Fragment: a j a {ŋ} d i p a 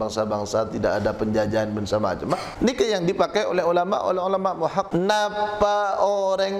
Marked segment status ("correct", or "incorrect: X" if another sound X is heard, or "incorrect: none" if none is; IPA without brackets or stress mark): correct